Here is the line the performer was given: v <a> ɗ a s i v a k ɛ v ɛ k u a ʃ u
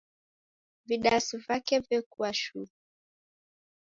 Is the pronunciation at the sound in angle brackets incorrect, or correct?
incorrect